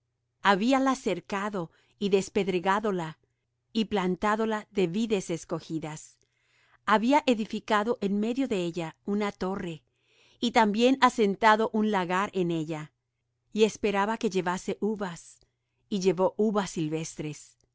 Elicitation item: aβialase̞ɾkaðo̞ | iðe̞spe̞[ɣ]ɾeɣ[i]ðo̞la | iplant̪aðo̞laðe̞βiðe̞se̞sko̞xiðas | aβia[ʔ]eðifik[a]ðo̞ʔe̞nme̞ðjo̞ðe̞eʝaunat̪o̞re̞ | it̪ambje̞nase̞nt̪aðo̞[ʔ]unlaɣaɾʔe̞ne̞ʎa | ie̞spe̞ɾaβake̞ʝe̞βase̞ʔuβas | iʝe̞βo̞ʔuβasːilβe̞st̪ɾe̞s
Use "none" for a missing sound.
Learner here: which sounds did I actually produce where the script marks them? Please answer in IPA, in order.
ð, a, ʔ, a, ʔ

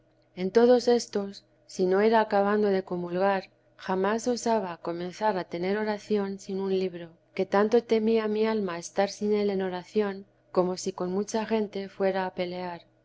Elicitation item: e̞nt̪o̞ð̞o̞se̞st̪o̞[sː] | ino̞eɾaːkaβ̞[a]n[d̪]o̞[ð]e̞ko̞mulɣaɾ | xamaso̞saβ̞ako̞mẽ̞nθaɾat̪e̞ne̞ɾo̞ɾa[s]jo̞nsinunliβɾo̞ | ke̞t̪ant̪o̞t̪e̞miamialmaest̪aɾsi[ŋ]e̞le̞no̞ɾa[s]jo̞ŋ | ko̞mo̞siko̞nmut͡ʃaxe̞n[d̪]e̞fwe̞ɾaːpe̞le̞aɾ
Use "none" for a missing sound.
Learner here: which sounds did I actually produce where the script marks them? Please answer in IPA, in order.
sː, a, d̪, ð, θ, n, θ, t̪

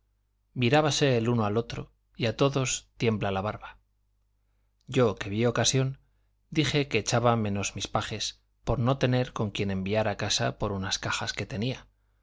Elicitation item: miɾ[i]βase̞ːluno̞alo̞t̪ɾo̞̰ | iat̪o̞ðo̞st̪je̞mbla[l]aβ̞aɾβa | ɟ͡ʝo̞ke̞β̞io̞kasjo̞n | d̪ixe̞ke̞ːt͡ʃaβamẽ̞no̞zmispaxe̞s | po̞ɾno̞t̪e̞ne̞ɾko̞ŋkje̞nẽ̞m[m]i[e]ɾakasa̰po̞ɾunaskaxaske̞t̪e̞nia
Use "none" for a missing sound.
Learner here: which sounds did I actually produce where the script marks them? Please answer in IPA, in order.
a, l, b, a

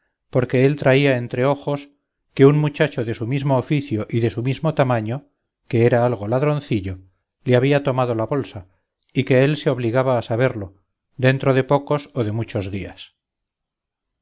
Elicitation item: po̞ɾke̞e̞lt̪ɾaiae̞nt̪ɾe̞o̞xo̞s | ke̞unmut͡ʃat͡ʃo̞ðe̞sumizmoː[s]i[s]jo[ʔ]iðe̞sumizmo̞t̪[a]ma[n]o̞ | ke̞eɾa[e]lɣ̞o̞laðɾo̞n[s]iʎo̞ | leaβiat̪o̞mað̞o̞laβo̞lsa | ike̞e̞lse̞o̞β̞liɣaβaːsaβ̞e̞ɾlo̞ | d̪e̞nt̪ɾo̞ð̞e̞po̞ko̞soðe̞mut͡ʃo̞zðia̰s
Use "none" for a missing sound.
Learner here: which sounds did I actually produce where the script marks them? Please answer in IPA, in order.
f, θ, ʔ, a, ɲ, a, θ

